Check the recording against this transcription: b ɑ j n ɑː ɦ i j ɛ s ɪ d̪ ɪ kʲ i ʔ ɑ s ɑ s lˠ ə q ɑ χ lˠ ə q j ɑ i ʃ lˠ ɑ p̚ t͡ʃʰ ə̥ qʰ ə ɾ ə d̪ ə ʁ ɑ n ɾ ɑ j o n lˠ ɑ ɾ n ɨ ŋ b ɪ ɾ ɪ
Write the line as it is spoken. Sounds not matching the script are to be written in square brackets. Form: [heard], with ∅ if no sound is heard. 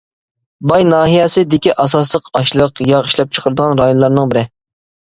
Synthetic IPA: b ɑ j n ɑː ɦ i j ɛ s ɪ d̪ ɪ kʲ i ʔ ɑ s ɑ s lˠ ə q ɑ [ʃ] lˠ ə q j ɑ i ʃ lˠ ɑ p̚ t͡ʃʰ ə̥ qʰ ə ɾ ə d̪ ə ʁ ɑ n ɾ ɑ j o n lˠ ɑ ɾ n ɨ ŋ b ɪ ɾ ɪ